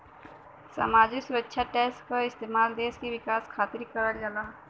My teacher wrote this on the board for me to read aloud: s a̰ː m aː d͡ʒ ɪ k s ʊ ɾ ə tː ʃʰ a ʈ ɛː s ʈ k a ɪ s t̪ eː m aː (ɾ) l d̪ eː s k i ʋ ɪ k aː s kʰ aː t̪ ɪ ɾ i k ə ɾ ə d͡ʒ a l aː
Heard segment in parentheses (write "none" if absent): none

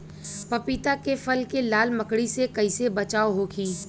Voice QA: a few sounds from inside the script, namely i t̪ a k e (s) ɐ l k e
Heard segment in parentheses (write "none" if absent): f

